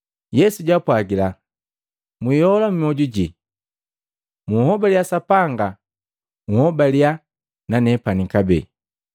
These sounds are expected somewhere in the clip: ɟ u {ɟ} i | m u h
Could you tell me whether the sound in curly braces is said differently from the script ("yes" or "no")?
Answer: no